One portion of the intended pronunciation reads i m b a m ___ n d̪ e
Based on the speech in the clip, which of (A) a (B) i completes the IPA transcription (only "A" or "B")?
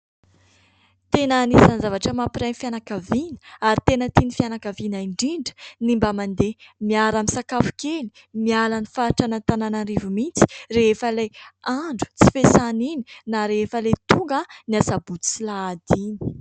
A